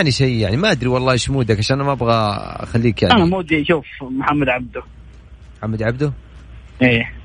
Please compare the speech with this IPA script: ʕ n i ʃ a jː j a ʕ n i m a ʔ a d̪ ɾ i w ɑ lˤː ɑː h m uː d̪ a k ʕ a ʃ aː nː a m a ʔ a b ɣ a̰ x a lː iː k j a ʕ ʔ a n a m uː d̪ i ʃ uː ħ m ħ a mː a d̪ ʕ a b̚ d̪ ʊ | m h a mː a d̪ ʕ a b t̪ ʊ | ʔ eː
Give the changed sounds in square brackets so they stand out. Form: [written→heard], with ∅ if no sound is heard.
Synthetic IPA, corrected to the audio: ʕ n i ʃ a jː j a ʕ n i m a ʔ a d̪ ɾ i w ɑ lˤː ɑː [h→ʃ] m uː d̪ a k ʕ a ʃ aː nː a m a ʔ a b ɣ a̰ x a lː iː k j a ʕ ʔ a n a m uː d̪ i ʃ uː [ħ→f] m ħ a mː a d̪ ʕ a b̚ d̪ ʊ | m [h→ħ] a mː a d̪ ʕ a b [t̪→d̪] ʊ | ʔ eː